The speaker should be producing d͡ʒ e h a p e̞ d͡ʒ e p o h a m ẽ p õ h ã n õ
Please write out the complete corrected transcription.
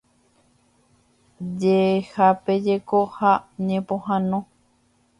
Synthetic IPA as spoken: d͡ʒ e h a p e̞ d͡ʒ e k o h a ɲ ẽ p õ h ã n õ